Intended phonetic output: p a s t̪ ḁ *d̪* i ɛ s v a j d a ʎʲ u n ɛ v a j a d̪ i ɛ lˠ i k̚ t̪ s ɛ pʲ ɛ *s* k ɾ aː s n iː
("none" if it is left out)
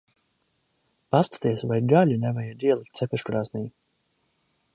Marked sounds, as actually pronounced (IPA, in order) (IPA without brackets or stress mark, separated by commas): t̪, ʃ